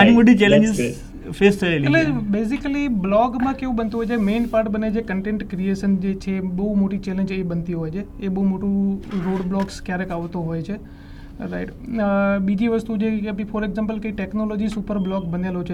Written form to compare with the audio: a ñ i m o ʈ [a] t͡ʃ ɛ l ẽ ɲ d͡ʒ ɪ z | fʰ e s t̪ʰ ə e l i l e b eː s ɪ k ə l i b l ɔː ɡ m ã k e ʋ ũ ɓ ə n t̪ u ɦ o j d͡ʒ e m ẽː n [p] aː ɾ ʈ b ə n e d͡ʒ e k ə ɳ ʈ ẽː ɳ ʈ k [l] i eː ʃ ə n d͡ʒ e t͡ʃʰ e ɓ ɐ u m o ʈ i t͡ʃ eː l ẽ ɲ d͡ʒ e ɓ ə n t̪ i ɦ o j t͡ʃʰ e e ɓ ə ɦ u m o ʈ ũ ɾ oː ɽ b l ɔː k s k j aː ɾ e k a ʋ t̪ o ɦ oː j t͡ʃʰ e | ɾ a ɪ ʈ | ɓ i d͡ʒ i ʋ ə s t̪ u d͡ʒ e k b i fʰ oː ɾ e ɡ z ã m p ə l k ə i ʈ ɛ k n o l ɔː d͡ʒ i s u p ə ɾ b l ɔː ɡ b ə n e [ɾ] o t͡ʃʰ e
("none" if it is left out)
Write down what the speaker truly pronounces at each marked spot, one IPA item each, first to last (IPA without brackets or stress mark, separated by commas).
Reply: i, p, ɾ, l